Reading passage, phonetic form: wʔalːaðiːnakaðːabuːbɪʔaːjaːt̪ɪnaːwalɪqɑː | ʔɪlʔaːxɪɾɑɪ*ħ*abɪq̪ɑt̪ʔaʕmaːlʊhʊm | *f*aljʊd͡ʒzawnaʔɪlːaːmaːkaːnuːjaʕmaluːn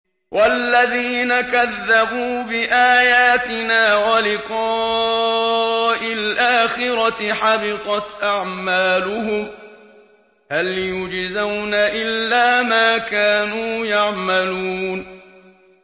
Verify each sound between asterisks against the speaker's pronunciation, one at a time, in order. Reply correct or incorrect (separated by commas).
correct, incorrect